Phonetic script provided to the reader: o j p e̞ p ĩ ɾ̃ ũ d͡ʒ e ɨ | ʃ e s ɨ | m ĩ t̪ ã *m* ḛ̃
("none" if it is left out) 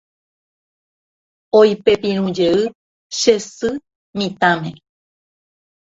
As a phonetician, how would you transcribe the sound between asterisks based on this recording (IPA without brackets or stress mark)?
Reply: m